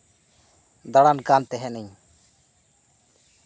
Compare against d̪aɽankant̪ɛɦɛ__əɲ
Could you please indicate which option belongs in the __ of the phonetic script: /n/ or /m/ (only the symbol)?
n